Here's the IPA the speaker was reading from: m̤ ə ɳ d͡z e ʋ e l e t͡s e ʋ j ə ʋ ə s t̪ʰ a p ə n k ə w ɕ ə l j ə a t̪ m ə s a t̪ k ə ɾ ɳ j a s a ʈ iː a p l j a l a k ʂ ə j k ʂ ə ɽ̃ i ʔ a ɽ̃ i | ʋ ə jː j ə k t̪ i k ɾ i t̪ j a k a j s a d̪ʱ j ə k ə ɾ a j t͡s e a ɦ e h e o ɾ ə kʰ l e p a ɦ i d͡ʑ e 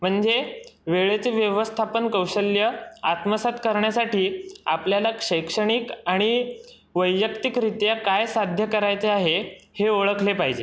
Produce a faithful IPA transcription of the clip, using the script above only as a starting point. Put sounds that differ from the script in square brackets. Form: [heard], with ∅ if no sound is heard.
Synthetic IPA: m̤ ə ɳ d͡z e ʋ e [ɭ] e t͡s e ʋ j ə ʋ ə s t̪ʰ a p ə n k ə w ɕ ə l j ə a t̪ m ə s a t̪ k ə ɾ ɳ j a s a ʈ iː a p l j a l a k ʂ ə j k ʂ ə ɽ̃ i [k] a ɽ̃ i | ʋ ə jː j ə k t̪ i k ɾ i t̪ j a k a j s a d̪ʱ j ə k ə ɾ a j t͡s e a ɦ e h e o [ɭ] ə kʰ l e p a ɦ i d͡ʑ e